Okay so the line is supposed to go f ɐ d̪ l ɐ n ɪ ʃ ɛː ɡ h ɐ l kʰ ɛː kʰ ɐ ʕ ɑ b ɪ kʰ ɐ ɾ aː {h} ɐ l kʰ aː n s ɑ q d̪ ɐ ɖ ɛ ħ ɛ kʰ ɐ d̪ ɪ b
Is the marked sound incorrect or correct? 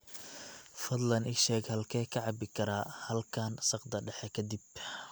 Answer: correct